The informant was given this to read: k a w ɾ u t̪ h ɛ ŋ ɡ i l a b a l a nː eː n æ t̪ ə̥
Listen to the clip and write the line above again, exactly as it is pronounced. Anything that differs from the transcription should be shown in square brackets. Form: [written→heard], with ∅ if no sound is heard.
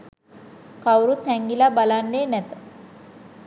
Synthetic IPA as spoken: k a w ɾ u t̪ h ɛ ŋ ɡ i l a b a l a nː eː n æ t̪ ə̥